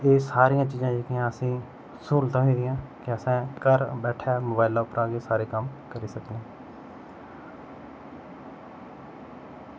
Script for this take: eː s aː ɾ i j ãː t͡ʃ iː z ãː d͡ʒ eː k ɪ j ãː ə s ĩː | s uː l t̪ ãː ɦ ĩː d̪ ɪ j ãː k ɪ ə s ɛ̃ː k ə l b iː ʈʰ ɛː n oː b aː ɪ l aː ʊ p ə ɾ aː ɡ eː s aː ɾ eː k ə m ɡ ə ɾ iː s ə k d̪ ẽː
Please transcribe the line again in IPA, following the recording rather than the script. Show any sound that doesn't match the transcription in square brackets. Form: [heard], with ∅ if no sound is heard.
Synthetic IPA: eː s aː ɾ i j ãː t͡ʃ iː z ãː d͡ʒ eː k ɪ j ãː ə s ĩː | s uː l t̪ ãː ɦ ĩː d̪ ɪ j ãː k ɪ ə s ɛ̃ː k ə [ɾ] b [ɛː] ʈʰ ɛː [m] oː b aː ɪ l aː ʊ p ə ɾ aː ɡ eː s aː ɾ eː k ə m [k] ə ɾ iː s ə k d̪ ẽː